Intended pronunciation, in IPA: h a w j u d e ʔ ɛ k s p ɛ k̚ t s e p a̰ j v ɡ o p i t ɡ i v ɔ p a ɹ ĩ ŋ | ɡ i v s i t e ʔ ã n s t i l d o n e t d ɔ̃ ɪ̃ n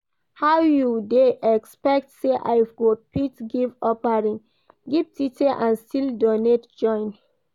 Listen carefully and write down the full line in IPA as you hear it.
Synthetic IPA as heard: h a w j u d e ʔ ɛ k s p ɛ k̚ t s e ʔ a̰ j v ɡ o p i t ɡ i v ɔ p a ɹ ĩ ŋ | ɡ i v t i t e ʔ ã n s t i l d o n e t d͡ʒ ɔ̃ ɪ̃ n